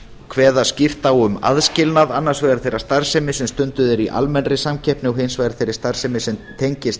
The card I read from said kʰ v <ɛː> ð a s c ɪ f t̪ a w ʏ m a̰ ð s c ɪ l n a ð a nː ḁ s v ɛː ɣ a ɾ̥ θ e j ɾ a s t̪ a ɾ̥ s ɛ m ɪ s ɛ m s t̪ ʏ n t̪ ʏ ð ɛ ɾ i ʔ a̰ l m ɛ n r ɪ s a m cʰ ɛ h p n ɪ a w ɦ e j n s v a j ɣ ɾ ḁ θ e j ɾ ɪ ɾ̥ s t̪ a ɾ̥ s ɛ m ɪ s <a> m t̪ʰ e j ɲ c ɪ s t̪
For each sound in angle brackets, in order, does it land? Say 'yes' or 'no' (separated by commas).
yes, no